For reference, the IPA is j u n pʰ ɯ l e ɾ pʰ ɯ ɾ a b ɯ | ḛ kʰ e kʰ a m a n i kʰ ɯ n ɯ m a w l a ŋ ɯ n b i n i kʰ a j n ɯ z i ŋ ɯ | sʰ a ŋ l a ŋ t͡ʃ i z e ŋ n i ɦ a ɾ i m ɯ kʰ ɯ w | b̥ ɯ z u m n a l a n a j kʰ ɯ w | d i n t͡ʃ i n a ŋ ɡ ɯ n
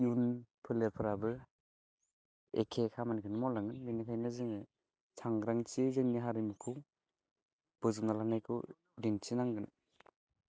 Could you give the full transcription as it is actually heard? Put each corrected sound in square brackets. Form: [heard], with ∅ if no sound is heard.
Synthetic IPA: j u n pʰ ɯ l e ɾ pʰ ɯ ɾ a b ɯ | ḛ kʰ e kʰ a m a n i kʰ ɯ n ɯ m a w l a ŋ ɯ n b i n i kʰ a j n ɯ z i ŋ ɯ | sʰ a ŋ [ɾ] a ŋ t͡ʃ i z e ŋ n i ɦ a ɾ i m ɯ kʰ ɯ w | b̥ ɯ z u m n a l a n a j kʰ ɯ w | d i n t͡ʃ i n a ŋ ɡ ɯ n